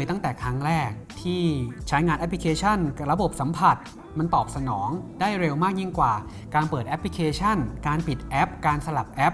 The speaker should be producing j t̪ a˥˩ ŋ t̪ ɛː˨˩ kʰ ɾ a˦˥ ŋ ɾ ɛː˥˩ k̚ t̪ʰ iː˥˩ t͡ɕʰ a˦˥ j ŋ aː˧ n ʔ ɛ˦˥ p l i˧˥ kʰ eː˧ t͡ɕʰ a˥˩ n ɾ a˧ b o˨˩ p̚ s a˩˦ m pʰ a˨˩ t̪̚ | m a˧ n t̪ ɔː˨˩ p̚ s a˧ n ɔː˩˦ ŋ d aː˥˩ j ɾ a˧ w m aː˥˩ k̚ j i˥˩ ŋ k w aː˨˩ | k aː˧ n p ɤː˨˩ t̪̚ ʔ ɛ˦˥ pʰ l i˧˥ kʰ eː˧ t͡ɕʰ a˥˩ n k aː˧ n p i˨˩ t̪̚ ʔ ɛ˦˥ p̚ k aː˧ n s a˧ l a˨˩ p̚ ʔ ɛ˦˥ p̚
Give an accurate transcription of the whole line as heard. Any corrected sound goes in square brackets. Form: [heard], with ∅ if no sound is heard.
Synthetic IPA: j t̪ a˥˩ ŋ t̪ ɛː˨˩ kʰ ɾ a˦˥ ŋ ɾ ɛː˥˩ k̚ t̪ʰ iː˥˩ t͡ɕʰ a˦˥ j ŋ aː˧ n ʔ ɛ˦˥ p l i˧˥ kʰ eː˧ t͡ɕʰ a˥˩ n ɾ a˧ b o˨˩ p̚ s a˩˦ m pʰ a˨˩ t̪̚ | m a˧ n t̪ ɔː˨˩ p̚ s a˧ n ɔː˩˦ ŋ d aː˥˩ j ɾ [e˧] w m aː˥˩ k̚ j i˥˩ ŋ k w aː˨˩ | k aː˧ n p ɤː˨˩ t̪̚ ʔ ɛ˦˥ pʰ l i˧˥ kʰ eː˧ t͡ɕʰ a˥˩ n k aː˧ n p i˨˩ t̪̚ ʔ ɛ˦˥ p̚ k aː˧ n s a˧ l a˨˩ p̚ ʔ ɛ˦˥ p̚